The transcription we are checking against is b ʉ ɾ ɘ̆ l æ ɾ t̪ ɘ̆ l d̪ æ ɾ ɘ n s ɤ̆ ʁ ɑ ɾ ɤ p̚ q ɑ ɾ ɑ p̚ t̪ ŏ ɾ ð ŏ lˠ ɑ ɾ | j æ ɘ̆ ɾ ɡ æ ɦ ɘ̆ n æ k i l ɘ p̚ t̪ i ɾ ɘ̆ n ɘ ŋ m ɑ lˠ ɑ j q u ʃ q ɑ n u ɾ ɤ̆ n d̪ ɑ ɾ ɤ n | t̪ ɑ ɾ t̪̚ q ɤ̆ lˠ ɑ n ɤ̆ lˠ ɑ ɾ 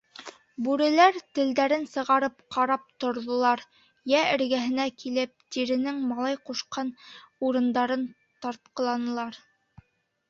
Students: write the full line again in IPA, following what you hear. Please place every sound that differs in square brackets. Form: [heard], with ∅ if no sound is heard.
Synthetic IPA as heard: b ʉ ɾ ɘ̆ l æ ɾ t̪ ɘ̆ l d̪ æ ɾ ɘ n s ɤ̆ ʁ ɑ ɾ ɤ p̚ q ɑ ɾ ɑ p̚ t̪ ŏ ɾ ð ŏ lˠ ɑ ɾ | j æ ɘ̆ ɾ ɡ æ ɦ ɘ̆ n æ k i l ɘ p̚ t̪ i ɾ ɘ̆ n ɘ ŋ m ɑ lˠ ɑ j q u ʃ q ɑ n u ɾ ɤ̆ n d̪ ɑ ɾ ɤ n | t̪ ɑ ɾ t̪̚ q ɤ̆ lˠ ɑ n ɤ̆ lˠ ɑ ɾ